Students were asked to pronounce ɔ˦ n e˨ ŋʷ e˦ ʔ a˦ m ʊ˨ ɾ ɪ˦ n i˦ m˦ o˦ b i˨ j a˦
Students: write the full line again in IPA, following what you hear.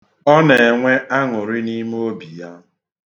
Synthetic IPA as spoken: ɔ˦ n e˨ ŋʷ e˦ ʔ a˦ ŋ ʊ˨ ɾ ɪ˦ n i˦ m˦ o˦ b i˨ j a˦